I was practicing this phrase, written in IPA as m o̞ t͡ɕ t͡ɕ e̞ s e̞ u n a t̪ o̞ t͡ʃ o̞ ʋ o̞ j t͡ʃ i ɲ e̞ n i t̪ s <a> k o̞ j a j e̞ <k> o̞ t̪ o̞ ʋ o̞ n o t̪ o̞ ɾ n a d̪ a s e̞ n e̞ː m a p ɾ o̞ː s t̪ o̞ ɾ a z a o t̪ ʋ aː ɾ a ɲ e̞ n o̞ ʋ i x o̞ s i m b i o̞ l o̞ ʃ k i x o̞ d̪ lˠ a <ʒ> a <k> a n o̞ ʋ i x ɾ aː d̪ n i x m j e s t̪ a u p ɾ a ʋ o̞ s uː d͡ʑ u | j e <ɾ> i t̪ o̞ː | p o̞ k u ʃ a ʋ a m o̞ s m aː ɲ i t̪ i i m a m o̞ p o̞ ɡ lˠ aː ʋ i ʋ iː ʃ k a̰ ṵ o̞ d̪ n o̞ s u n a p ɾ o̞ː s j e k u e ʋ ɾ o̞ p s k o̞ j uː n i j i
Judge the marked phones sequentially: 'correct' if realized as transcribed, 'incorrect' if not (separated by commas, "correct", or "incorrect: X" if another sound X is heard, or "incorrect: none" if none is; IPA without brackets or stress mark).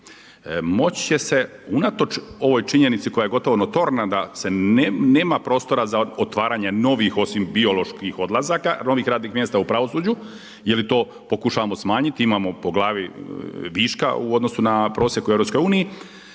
incorrect: i, incorrect: ɡ, incorrect: z, correct, incorrect: l